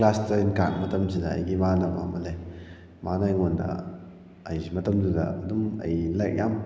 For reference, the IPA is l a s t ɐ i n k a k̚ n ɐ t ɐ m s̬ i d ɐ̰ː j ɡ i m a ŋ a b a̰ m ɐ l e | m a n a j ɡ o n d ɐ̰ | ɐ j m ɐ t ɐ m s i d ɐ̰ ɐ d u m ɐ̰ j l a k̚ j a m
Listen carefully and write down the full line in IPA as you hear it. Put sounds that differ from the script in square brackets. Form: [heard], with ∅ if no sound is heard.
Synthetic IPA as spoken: l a s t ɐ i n k a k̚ [m] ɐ t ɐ m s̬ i d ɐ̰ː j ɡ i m a [n] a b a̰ m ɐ l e | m a n a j [ŋ] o n d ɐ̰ | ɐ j m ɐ t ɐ m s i d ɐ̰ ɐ d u m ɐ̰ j l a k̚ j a m

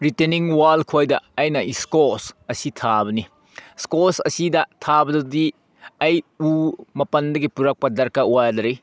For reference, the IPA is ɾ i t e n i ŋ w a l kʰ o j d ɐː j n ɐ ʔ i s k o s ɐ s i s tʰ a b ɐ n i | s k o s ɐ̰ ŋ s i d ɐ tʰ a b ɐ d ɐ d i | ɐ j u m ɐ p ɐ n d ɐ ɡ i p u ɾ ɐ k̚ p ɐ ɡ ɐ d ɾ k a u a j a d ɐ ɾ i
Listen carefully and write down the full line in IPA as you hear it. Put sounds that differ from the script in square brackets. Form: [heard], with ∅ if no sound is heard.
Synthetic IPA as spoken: ɾ i t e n i ŋ w a l kʰ o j d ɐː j n ɐ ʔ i s k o s ɐ s i [∅] tʰ a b ɐ n i | s k o s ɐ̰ [∅] s i d ɐ tʰ a b ɐ d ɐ d i | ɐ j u m ɐ p ɐ n d ɐ ɡ i p u ɾ ɐ k̚ p ɐ [d] ɐ [∅] ɾ k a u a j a d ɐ ɾ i

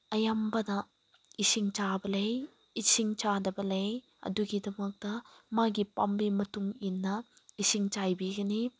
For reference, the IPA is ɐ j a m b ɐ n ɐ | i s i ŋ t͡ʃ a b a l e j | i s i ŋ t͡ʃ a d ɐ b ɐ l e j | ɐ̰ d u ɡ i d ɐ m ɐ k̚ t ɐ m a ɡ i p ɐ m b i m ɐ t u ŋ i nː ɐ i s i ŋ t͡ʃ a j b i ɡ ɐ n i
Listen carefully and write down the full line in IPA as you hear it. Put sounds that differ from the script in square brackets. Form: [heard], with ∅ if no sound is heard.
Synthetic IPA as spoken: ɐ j a m b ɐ n ɐ | i s i ŋ t͡ʃ a b [ɐ] l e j | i s i ŋ t͡ʃ a d ɐ b ɐ l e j | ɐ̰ d u ɡ i d ɐ m ɐ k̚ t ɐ m a ɡ i p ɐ m b i m ɐ t u ŋ i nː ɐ i s i ŋ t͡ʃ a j b i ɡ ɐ n i

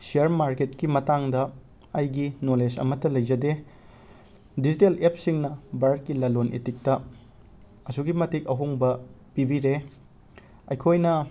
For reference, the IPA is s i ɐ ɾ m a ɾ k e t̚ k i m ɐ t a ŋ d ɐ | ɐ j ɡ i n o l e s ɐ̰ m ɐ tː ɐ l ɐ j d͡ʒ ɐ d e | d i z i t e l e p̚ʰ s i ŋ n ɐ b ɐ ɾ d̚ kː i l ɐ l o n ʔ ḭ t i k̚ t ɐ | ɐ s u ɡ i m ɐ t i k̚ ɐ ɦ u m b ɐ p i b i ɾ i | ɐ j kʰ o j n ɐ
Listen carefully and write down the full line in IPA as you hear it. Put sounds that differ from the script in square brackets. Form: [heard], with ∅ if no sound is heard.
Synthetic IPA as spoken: s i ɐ ɾ m a ɾ k e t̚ k i m ɐ t a ŋ d ɐ | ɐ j ɡ i n o l e s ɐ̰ m ɐ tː ɐ l ɐ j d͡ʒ ɐ d e | d i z i t e l e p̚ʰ s i ŋ n ɐ b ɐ ɾ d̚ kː i l ɐ l o n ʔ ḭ t i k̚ t ɐ | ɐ s u ɡ i m ɐ t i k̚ ɐ ɦ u [ŋ] b ɐ p i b i ɾ [e] | ɐ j kʰ o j n ɐ

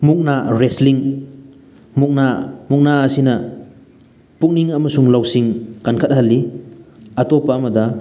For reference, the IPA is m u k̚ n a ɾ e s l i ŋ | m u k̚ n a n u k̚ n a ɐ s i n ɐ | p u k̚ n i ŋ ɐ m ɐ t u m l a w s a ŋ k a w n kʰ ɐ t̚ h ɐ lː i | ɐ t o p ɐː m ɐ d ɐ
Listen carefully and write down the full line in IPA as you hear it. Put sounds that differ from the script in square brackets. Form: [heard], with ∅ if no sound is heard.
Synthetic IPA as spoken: m u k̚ n a ɾ e s l i ŋ | m u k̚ n a [m] u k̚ n a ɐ s i n ɐ | p u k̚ n i ŋ ɐ m ɐ [s] u [ŋ] l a w s [i] ŋ k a [∅] n kʰ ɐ t̚ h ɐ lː i | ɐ t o p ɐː m ɐ d ɐ

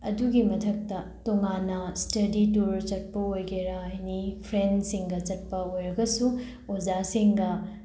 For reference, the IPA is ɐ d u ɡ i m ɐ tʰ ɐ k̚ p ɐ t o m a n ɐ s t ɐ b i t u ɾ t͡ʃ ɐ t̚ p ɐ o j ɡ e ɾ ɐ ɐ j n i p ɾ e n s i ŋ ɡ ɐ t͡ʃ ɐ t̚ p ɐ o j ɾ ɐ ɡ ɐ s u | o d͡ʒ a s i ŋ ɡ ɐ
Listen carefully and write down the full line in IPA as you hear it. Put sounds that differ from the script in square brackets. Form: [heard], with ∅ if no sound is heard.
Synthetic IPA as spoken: ɐ d u ɡ i m ɐ tʰ ɐ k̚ [t] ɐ t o [ŋ] a n ɐ s t ɐ [d] i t u ɾ t͡ʃ ɐ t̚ p ɐ o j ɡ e ɾ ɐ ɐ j n i [pʰ] ɾ e n s i ŋ ɡ ɐ t͡ʃ ɐ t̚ p ɐ o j ɾ ɐ ɡ ɐ s u | o d͡ʒ a s i ŋ ɡ ɐ

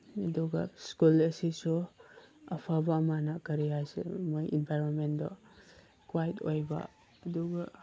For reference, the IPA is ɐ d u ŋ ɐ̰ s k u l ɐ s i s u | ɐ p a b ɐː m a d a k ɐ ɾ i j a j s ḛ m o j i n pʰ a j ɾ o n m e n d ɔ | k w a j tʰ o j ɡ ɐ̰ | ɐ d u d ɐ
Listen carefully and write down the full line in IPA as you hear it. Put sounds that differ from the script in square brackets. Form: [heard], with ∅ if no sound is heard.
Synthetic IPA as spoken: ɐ d u [ɡ] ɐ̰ s k u l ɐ s i s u | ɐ [pʰ] a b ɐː m a [n] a k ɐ ɾ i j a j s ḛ m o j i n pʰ a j ɾ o n m e n d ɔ | k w a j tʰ o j [b] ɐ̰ | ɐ d u [ɡ] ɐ

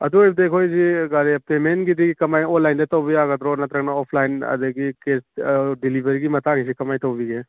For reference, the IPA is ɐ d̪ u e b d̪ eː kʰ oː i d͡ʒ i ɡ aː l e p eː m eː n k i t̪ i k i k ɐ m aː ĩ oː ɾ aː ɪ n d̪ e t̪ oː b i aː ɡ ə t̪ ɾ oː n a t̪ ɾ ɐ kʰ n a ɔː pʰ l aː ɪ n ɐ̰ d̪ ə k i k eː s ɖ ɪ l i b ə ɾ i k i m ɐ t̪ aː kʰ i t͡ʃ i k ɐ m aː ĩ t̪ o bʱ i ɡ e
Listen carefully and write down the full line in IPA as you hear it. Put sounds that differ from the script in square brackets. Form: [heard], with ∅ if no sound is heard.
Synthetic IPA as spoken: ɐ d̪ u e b d̪ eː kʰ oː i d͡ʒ i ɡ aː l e p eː m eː n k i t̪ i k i k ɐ m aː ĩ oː [l] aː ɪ n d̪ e t̪ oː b i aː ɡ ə t̪ ɾ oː n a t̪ ɾ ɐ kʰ n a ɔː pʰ l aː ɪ n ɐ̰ d̪ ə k i k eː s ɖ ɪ l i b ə ɾ i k i m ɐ t̪ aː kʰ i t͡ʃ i k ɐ m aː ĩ t̪ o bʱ i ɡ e

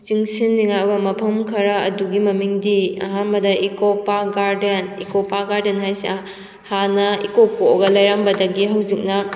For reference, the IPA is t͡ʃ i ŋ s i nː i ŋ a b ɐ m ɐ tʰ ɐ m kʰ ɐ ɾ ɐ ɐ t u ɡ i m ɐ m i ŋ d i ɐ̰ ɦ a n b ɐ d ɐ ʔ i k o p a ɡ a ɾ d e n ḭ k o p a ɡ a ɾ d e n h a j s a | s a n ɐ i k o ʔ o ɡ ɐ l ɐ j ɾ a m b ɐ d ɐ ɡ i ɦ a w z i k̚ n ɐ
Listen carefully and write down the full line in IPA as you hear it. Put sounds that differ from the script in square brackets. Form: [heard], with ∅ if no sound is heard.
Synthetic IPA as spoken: t͡ʃ i ŋ s i nː i ŋ a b ɐ m ɐ [pʰ] ɐ m kʰ ɐ ɾ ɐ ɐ [d] u ɡ i m ɐ m i ŋ d i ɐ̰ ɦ a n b ɐ d ɐ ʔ i k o p a ɡ a ɾ d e n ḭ k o p a ɡ a ɾ d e n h a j s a | [h] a n ɐ i k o [k] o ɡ ɐ l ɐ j ɾ a m b ɐ d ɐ ɡ i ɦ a w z i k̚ n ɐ

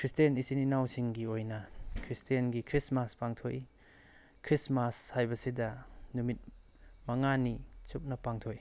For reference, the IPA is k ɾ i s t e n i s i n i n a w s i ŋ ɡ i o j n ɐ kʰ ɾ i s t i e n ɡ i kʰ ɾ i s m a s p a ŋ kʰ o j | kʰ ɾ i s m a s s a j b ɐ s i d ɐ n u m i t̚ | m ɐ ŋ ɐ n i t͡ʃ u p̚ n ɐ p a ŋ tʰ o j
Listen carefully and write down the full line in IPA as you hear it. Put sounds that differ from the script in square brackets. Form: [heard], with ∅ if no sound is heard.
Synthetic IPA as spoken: k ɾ i s t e n i s i n i n a w s i ŋ ɡ i o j n ɐ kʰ ɾ i s t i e n ɡ i kʰ ɾ i s m a s p a ŋ [tʰ] o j | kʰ ɾ i s m a s [h] a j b ɐ s i d ɐ n u m i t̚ | m ɐ ŋ [a] n i t͡ʃ u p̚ n ɐ p a ŋ tʰ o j

